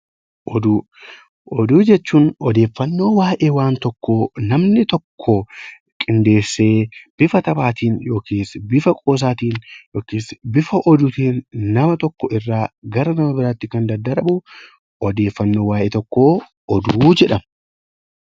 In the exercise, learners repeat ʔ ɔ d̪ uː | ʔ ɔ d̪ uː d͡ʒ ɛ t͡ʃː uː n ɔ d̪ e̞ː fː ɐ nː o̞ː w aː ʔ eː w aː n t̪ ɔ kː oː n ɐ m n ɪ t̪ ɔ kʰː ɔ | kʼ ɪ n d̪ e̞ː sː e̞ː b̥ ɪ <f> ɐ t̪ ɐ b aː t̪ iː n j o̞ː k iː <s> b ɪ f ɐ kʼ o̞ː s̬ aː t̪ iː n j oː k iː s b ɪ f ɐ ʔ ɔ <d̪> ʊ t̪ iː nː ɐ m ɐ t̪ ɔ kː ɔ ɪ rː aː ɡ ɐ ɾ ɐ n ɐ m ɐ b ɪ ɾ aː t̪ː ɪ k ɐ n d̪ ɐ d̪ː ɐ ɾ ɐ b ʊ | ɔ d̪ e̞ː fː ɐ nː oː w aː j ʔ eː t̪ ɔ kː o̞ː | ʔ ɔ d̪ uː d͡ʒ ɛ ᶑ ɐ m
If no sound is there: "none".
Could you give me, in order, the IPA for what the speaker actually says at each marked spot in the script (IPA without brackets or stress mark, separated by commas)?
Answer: f, s, d̪